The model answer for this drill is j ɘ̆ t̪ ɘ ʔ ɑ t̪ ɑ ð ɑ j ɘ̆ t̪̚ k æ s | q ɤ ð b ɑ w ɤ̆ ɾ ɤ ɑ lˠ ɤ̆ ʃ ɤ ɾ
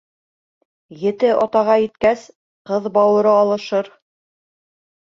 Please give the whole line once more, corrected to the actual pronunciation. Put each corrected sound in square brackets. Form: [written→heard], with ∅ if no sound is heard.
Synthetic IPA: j ɘ̆ t̪ ɘ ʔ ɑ t̪ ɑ [ð→ʁ] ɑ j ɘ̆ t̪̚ k æ s | q ɤ ð b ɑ w ɤ̆ ɾ ɤ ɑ lˠ ɤ̆ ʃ ɤ ɾ